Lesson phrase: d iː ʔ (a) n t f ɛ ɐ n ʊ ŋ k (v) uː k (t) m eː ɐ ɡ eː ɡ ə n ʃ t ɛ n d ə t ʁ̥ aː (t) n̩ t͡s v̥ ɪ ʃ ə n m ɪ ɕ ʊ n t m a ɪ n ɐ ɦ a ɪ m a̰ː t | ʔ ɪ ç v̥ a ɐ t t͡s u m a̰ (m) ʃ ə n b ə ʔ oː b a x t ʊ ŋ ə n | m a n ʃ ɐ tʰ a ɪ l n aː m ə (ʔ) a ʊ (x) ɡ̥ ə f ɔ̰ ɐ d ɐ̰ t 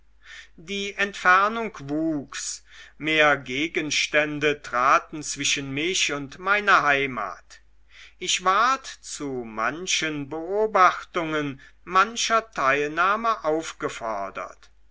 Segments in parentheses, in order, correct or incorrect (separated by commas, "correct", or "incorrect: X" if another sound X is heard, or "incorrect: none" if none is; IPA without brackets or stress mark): incorrect: ɛ, correct, incorrect: s, correct, incorrect: n, correct, incorrect: f